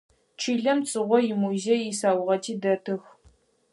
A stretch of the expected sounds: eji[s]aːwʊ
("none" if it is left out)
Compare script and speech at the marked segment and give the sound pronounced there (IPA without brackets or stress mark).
s